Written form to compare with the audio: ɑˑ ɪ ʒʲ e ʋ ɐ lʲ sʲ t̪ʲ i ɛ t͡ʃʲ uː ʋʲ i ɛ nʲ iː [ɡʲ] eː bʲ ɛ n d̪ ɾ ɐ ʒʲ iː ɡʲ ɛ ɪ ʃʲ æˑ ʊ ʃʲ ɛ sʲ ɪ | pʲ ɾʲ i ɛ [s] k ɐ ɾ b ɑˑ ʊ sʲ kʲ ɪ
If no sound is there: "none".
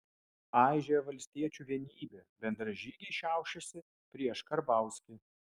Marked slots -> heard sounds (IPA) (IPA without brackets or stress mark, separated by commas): bʲ, ʃ